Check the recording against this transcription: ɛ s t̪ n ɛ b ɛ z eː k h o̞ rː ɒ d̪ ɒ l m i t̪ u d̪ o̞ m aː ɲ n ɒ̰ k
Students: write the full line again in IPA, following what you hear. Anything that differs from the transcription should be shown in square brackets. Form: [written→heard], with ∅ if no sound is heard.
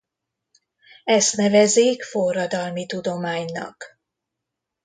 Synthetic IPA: ɛ s t̪ n ɛ [b→v] ɛ z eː k [h→f] o̞ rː ɒ d̪ ɒ l m i t̪ u d̪ o̞ m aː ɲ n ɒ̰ k

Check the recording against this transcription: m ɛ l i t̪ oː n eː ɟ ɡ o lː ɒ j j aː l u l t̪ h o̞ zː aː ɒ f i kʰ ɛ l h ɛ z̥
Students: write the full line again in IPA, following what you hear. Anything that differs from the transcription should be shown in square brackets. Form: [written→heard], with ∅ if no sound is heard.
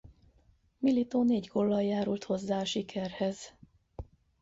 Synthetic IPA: m [ɛ→i] l i t̪ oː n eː ɟ ɡ o lː ɒ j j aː [l→ɾ] u l t̪ h o̞ zː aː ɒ [f→ʃ] i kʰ ɛ [l→r] h ɛ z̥

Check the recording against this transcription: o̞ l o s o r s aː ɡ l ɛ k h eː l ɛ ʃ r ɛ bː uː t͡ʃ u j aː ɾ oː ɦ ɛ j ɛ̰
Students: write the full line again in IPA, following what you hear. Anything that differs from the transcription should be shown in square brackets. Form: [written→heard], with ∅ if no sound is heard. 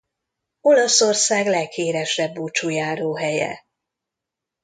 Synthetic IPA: o̞ l [o→ɒ] s o r s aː ɡ l ɛ k h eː [l→ɾ] ɛ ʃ r ɛ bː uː t͡ʃ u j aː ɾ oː ɦ ɛ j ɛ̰

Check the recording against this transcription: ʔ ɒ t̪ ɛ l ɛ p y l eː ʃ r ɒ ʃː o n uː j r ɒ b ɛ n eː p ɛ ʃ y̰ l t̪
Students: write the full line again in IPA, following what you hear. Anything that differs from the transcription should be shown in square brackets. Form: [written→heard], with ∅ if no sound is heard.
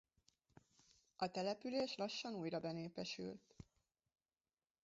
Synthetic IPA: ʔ ɒ t̪ ɛ l ɛ p y l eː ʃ [r→l] ɒ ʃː [o→ɒ] n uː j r ɒ b ɛ n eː p ɛ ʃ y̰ l t̪

